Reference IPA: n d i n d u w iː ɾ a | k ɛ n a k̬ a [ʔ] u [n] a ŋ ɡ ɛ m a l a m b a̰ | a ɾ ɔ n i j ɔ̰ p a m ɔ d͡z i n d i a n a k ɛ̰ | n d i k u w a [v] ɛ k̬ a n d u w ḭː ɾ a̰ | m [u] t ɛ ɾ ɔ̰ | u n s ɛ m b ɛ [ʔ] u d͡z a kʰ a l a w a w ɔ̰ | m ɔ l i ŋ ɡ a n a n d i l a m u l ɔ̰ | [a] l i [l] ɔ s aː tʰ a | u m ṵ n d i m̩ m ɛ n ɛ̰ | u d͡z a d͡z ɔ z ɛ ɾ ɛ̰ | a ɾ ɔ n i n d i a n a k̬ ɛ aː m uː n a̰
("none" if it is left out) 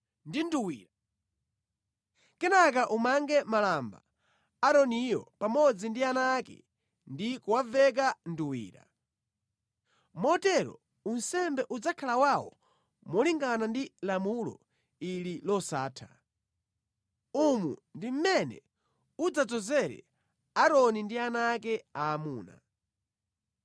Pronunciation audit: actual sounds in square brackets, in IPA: ʔ, m, v, ɔ, ʔ, i, l

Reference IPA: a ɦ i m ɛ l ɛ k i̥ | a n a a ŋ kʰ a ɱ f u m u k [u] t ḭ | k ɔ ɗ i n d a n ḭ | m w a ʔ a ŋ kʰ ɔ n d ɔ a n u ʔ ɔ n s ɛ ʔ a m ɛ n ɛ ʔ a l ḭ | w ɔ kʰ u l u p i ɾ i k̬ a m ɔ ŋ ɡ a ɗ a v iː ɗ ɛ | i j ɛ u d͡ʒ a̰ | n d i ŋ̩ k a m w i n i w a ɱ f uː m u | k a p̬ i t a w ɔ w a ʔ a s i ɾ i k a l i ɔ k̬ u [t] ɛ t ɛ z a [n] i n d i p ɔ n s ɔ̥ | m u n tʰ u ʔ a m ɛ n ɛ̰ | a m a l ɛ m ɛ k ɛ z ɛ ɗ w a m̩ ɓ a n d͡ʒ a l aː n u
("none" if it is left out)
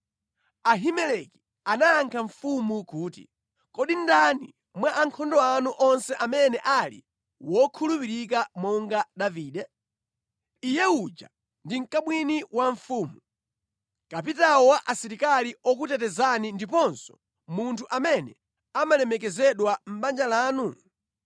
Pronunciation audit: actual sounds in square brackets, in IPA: uː, t, n

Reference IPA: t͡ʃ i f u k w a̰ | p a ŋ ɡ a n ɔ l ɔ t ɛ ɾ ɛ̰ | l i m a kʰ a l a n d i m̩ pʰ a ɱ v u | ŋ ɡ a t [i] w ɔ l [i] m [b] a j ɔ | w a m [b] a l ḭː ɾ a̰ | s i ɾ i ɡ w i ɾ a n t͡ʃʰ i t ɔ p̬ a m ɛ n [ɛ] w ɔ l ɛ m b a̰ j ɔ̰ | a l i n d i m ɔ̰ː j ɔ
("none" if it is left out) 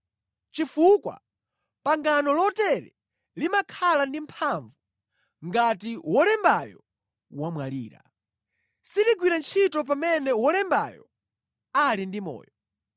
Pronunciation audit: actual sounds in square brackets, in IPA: i, ɛ, b, w, ɛ

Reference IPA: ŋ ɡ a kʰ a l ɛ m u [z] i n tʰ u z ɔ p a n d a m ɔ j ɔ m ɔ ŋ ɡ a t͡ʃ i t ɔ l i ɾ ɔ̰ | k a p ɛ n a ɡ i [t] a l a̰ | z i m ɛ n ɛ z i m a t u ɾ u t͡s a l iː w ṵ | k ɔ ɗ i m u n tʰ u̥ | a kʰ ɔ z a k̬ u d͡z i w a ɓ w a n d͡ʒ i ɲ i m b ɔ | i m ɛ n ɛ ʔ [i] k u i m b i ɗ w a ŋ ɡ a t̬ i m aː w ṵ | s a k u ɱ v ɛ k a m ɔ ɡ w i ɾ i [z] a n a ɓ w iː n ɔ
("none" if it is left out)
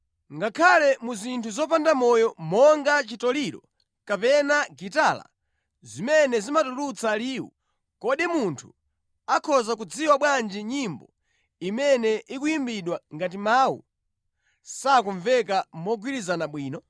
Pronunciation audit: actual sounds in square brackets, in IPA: z, t, i, z

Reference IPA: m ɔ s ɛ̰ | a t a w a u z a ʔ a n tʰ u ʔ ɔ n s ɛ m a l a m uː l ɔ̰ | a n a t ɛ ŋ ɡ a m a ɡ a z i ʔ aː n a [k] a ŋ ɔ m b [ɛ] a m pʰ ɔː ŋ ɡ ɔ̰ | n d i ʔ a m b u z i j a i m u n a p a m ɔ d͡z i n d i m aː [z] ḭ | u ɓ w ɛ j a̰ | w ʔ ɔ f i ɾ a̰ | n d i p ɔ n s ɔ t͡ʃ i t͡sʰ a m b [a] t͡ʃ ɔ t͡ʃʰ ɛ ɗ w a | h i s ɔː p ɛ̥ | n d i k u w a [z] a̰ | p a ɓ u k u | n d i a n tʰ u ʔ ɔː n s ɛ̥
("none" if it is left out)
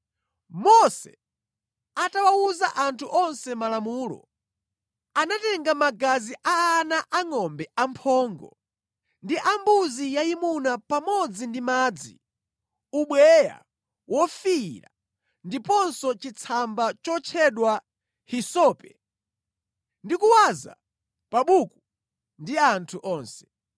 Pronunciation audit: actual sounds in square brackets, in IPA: ʔ, ɛ, d͡z, a, z

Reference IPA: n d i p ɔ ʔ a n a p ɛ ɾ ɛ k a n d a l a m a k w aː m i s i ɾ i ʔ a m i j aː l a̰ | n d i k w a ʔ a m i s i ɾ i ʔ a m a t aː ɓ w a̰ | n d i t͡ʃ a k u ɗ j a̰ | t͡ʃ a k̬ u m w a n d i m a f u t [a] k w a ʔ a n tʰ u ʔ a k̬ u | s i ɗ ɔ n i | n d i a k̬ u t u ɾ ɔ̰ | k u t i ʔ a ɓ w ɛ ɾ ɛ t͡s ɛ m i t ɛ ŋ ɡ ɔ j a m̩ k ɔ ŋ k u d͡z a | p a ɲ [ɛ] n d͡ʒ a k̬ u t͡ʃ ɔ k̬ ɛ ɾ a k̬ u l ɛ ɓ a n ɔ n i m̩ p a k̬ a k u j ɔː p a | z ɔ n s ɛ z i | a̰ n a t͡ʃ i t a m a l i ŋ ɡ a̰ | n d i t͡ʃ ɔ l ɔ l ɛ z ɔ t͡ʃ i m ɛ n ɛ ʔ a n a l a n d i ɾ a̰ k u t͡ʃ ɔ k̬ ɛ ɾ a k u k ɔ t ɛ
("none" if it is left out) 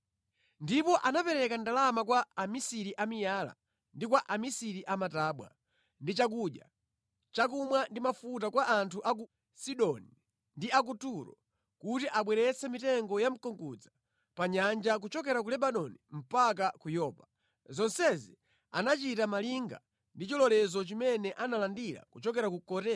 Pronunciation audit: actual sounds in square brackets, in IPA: a, a

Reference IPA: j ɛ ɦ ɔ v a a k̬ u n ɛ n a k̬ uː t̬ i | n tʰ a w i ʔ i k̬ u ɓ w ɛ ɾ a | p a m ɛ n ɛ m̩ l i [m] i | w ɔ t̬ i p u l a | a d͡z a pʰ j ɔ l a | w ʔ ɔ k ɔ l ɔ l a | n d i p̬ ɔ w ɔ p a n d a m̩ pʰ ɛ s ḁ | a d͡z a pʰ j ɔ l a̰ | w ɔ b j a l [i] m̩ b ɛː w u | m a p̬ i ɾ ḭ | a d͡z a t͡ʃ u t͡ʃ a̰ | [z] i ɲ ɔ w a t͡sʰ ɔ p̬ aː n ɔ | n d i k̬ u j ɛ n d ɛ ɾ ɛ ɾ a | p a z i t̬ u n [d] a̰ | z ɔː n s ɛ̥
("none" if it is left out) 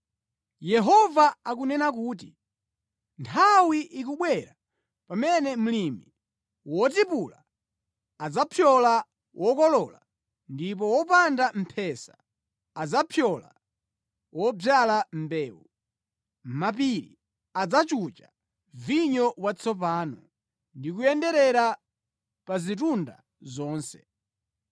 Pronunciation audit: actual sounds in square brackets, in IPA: m, a, v, d

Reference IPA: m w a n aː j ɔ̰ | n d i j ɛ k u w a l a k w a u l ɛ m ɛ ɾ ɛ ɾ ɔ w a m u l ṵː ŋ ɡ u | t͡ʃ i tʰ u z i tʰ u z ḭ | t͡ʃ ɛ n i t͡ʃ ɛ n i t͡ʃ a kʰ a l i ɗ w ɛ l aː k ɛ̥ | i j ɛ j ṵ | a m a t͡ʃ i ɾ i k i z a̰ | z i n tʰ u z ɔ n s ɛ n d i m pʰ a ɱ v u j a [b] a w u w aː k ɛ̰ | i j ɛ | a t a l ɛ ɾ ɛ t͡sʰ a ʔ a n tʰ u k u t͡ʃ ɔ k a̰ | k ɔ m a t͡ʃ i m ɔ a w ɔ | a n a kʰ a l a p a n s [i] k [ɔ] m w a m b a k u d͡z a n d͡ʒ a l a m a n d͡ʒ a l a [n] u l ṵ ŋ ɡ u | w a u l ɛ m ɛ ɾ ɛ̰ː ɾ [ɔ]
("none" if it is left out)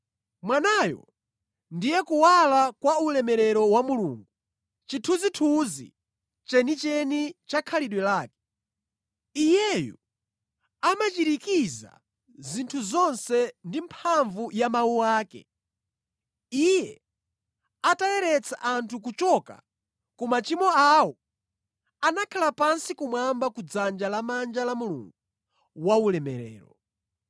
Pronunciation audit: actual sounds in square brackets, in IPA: m, i, u, m, ɔ

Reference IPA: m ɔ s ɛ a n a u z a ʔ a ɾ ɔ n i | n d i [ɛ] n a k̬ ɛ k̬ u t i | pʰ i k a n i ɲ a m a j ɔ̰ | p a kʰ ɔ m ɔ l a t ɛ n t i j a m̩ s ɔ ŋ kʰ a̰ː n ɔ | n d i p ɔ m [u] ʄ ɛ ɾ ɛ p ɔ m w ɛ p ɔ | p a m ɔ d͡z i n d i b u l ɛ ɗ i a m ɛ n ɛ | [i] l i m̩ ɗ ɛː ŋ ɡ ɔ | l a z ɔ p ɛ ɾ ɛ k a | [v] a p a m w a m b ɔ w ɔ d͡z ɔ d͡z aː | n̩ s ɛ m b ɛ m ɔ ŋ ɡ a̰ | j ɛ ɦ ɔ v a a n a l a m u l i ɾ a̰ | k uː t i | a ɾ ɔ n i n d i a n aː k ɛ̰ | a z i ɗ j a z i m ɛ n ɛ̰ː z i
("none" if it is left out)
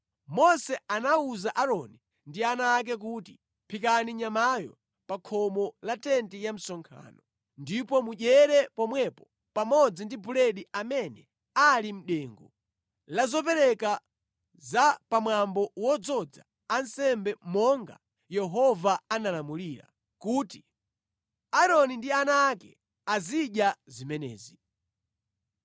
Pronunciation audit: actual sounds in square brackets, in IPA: a, u, a, z

